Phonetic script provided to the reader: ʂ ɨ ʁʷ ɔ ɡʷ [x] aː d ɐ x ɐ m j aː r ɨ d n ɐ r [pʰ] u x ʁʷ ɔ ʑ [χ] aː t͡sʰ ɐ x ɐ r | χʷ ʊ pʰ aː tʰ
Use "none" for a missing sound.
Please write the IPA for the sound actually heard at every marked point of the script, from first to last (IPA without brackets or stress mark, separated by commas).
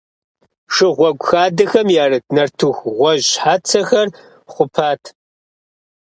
x, tʰ, ħ